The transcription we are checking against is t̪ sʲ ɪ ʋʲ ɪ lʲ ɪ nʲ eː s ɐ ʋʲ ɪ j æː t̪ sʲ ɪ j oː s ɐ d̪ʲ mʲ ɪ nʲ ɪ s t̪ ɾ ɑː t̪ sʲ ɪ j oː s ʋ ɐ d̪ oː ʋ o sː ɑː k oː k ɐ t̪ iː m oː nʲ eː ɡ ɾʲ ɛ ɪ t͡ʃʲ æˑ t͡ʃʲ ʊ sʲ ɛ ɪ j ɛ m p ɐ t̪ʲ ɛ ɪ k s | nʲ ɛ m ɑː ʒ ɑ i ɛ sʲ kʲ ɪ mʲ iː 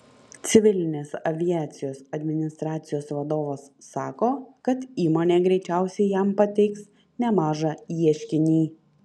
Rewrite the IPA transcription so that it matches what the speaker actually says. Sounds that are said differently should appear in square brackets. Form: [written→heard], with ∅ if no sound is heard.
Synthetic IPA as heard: t̪ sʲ ɪ ʋʲ ɪ lʲ ɪ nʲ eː s ɐ ʋʲ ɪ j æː t̪ sʲ ɪ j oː s ɐ d̪ʲ mʲ ɪ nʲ ɪ s t̪ ɾ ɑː t̪ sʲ ɪ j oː s ʋ ɐ d̪ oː ʋ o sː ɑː k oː k ɐ t̪ iː m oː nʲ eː ɡ ɾʲ ɛ ɪ t͡ʃʲ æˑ [t͡ʃʲ→∅] ʊ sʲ ɛ ɪ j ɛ m p ɐ t̪ʲ ɛ ɪ k s | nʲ ɛ m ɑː ʒ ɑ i ɛ [sʲ→ʃʲ] kʲ ɪ [mʲ→nʲ] iː

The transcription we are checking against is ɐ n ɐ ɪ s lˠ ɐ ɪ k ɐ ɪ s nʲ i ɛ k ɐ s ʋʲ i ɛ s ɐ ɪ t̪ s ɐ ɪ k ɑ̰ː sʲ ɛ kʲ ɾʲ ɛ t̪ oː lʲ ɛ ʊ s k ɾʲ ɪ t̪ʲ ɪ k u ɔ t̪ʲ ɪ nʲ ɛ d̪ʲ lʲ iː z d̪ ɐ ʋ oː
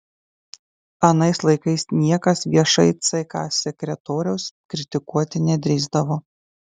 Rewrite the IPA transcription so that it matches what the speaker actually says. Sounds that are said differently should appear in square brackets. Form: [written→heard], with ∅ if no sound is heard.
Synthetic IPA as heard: ɐ n ɐ ɪ s lˠ ɐ ɪ k ɐ ɪ s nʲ i ɛ k ɐ s ʋʲ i ɛ [s→ʃ] ɐ ɪ t̪ s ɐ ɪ k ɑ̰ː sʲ ɛ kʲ ɾʲ ɛ t̪ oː [lʲ→ɾʲ] ɛ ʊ s k ɾʲ ɪ t̪ʲ ɪ k u ɔ t̪ʲ ɪ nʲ ɛ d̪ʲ [lʲ→ɾʲ] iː z d̪ ɐ ʋ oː

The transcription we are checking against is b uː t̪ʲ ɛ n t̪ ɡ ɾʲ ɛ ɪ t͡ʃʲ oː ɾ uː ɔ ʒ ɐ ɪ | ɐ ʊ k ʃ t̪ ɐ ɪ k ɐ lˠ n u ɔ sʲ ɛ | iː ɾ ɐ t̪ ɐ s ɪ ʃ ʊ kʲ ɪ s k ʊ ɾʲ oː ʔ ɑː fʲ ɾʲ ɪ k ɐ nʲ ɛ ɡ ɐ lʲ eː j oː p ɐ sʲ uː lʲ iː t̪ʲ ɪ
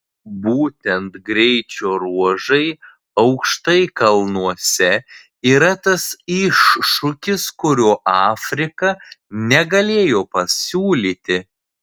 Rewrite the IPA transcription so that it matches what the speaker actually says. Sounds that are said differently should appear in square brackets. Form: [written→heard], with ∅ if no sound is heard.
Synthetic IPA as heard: b uː t̪ʲ ɛ n t̪ ɡ ɾʲ ɛ ɪ t͡ʃʲ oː ɾ [uː→u] ɔ ʒ ɐ ɪ | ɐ ʊ k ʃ t̪ ɐ ɪ k ɐ lˠ n u ɔ sʲ ɛ | iː ɾ ɐ t̪ ɐ s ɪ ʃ ʊ kʲ ɪ s k ʊ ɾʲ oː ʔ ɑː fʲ ɾʲ ɪ k ɐ nʲ ɛ ɡ ɐ lʲ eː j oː p ɐ sʲ uː lʲ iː t̪ʲ ɪ

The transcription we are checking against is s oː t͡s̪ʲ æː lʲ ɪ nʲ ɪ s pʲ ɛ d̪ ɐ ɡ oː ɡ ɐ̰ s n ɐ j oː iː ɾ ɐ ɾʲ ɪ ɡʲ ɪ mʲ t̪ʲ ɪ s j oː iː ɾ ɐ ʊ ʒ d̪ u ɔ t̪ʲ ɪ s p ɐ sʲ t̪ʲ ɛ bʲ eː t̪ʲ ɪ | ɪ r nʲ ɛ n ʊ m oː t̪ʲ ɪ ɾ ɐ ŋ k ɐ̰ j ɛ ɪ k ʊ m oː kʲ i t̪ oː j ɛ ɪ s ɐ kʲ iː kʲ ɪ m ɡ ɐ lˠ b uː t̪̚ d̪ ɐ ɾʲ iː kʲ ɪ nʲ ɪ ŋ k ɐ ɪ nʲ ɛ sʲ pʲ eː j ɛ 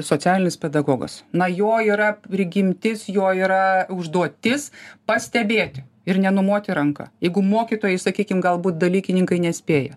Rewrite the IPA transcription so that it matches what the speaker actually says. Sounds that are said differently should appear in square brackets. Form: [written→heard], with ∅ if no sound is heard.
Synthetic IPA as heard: s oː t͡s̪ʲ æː lʲ ɪ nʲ ɪ s pʲ ɛ d̪ ɐ ɡ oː ɡ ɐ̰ s n ɐ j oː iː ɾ ɐ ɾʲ ɪ ɡʲ ɪ mʲ t̪ʲ ɪ s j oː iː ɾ ɐ ʊ ʒ d̪ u ɔ t̪ʲ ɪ s p ɐ sʲ t̪ʲ ɛ bʲ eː t̪ʲ ɪ | ɪ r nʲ ɛ n ʊ m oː t̪ʲ ɪ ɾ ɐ ŋ k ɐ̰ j ɛ ɪ [k→ɡ] ʊ m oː kʲ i t̪ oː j ɛ ɪ s ɐ kʲ iː kʲ ɪ m ɡ ɐ lˠ b uː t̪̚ d̪ ɐ [ɾʲ→lʲ] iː kʲ ɪ nʲ ɪ ŋ k ɐ ɪ nʲ ɛ sʲ pʲ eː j ɛ

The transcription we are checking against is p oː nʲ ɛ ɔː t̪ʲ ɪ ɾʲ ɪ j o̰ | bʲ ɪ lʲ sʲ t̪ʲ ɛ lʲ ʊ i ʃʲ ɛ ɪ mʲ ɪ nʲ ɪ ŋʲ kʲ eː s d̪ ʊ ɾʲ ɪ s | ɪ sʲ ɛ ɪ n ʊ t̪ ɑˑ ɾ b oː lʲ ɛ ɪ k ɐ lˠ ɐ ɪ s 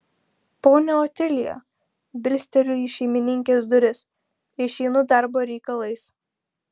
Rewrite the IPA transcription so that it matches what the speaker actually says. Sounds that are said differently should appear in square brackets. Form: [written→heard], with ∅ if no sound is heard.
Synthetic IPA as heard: p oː nʲ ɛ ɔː t̪ʲ ɪ [ɾʲ→lʲ] ɪ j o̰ | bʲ ɪ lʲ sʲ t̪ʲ ɛ lʲ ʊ i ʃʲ ɛ ɪ mʲ ɪ nʲ ɪ ŋʲ kʲ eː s d̪ ʊ ɾʲ ɪ s | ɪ [sʲ→ʃʲ] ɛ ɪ n ʊ [t̪→d̪] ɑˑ ɾ b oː [lʲ→ɾʲ] ɛ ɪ k ɐ lˠ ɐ ɪ s

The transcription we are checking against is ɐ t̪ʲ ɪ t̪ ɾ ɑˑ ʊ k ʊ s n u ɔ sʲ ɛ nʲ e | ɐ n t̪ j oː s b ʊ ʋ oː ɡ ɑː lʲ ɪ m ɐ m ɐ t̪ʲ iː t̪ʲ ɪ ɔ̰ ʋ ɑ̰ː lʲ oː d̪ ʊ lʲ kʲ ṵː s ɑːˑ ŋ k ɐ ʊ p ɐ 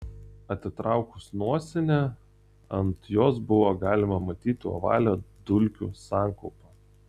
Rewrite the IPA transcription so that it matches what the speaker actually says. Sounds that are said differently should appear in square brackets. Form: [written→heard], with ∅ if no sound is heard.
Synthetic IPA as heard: ɐ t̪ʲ ɪ t̪ ɾ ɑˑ ʊ k ʊ s n u ɔ sʲ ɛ nʲ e | ɐ n t̪ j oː s b ʊ ʋ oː ɡ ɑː lʲ ɪ m ɐ m ɐ t̪ʲ iː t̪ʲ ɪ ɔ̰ ʋ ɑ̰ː lʲ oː d̪ ʊ lʲ kʲ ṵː s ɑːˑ ŋ k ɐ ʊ p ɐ

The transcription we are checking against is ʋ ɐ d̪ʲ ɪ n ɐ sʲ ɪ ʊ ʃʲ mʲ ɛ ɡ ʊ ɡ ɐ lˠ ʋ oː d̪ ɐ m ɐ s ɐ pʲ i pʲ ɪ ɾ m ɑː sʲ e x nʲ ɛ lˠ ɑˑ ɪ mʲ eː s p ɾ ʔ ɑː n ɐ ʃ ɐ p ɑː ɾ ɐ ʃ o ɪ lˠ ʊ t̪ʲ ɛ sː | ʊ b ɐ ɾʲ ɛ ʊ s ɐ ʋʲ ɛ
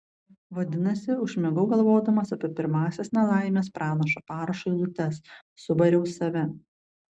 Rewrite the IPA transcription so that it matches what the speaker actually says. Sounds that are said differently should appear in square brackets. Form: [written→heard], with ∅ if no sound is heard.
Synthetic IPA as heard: ʋ ɐ d̪ʲ ɪ n ɐ sʲ ɪ ʊ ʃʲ mʲ ɛ ɡ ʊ ɡ ɐ lˠ ʋ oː d̪ ɐ m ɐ s ɐ pʲ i pʲ ɪ ɾ m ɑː sʲ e [x→s] nʲ ɛ lˠ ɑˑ ɪ mʲ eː s p ɾ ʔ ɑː n ɐ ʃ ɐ p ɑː ɾ ɐ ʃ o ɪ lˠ ʊ t̪ʲ ɛ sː | ʊ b ɐ ɾʲ ɛ ʊ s ɐ ʋʲ ɛ

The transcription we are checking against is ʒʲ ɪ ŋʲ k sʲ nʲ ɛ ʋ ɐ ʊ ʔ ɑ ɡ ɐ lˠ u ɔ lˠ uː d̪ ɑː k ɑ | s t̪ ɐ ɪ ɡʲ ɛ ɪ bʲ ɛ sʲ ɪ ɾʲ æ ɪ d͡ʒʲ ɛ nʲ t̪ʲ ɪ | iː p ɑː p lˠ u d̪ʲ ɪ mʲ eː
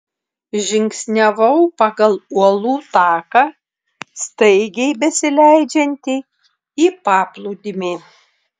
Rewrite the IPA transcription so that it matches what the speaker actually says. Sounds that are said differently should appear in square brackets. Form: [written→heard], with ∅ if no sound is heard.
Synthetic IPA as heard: ʒʲ ɪ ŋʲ k sʲ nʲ ɛ ʋ ɐ ʊ [ʔ→p] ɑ ɡ ɐ lˠ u ɔ lˠ uː [d̪→t̪] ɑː k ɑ | s t̪ ɐ ɪ ɡʲ ɛ ɪ bʲ ɛ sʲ ɪ [ɾʲ→lʲ] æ ɪ d͡ʒʲ ɛ nʲ t̪ʲ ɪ | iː p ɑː p lˠ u d̪ʲ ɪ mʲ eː

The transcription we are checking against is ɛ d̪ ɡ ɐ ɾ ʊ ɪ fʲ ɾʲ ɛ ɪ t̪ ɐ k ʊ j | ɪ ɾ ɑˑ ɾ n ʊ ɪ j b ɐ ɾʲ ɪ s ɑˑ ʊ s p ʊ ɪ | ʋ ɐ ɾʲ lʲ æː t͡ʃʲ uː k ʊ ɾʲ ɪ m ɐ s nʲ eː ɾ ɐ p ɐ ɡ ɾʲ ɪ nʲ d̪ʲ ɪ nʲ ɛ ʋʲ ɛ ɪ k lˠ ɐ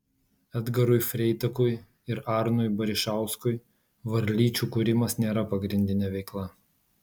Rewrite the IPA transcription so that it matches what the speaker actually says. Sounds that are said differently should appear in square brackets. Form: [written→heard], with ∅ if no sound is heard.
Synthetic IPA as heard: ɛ d̪ ɡ ɐ ɾ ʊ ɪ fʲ ɾʲ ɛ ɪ t̪ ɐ k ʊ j | ɪ ɾ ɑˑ ɾ n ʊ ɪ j b ɐ ɾʲ ɪ [s→ʃ] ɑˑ ʊ s [p→k] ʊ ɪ | ʋ ɐ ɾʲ lʲ [æː→iː] t͡ʃʲ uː k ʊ ɾʲ ɪ m ɐ s nʲ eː ɾ ɐ p ɐ ɡ ɾʲ ɪ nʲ d̪ʲ ɪ nʲ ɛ ʋʲ ɛ ɪ k lˠ ɐ

